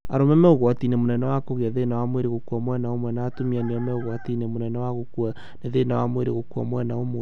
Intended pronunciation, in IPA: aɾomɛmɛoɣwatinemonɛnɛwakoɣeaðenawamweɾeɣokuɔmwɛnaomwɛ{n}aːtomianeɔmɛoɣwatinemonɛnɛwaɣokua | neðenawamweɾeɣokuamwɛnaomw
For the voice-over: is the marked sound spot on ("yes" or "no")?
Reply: yes